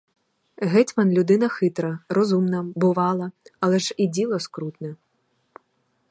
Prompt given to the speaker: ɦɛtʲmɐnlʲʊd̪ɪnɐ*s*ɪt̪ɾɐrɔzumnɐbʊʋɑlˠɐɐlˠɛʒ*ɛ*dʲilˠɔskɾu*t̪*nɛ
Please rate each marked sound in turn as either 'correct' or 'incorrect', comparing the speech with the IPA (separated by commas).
incorrect, incorrect, correct